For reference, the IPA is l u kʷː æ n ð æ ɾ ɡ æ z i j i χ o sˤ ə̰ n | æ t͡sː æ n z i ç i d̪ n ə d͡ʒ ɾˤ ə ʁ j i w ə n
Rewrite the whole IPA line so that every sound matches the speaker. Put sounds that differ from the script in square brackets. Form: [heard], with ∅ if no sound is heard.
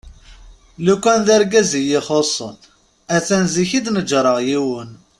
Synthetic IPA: l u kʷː æ n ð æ ɾ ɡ æ z i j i χ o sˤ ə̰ n | æ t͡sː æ n z i ç i d̪ n ə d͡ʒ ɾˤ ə ʁ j i w ə n